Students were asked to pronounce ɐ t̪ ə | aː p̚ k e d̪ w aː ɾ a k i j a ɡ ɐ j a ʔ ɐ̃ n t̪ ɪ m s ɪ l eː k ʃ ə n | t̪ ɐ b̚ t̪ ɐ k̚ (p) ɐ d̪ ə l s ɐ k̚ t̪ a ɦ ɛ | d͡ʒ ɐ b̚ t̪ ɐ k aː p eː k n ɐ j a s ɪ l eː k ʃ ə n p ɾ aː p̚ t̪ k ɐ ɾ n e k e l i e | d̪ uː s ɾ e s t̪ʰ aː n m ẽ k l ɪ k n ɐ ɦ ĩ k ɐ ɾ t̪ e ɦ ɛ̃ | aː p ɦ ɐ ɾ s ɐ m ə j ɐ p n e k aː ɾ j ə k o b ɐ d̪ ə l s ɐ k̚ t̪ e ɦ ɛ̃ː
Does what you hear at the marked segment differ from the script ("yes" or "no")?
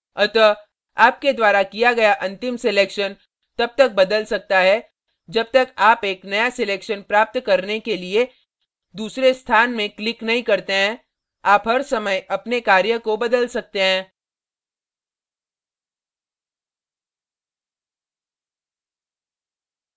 yes